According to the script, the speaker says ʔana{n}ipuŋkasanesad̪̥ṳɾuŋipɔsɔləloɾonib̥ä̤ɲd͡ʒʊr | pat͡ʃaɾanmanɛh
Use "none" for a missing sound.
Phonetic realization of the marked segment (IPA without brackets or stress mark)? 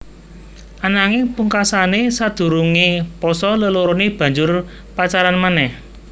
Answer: ŋ